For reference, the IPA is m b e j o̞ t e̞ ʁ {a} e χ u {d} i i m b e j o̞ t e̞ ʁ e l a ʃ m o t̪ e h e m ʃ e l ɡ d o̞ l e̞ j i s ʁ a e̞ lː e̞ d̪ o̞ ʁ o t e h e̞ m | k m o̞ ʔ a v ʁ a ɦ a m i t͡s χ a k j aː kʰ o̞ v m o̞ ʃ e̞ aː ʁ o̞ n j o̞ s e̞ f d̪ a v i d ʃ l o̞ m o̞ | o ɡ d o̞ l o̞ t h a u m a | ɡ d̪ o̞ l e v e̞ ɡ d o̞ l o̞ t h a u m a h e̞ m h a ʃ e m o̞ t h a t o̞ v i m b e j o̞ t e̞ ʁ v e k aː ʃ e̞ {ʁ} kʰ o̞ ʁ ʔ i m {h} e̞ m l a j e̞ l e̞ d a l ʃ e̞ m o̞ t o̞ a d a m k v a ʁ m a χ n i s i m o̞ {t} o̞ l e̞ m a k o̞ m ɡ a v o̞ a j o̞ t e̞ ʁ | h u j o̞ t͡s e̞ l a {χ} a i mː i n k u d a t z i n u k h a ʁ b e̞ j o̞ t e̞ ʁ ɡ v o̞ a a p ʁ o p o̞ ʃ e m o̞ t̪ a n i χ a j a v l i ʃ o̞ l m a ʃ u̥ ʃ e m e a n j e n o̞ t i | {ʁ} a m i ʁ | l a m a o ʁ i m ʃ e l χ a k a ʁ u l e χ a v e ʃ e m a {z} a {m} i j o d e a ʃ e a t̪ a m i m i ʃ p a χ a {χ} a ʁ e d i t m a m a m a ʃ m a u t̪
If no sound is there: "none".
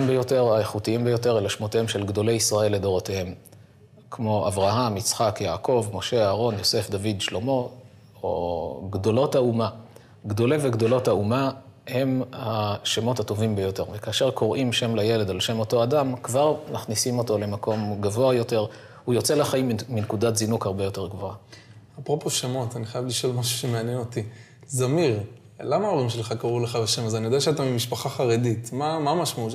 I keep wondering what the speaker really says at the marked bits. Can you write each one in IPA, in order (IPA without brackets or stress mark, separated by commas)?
a, t, ʁ, ʃ, t, χ, z, z, n, χ